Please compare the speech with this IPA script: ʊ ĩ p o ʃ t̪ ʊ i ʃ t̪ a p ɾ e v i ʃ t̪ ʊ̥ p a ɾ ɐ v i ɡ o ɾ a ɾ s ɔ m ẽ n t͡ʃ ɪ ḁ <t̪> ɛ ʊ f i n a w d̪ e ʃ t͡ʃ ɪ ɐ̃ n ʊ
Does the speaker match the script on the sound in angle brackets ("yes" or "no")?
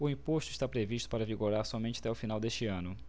yes